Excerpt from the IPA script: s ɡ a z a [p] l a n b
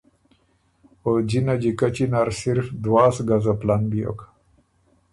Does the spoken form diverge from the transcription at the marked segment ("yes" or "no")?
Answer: no